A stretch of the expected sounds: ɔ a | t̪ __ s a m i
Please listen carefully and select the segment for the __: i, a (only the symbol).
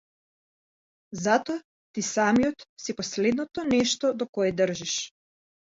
i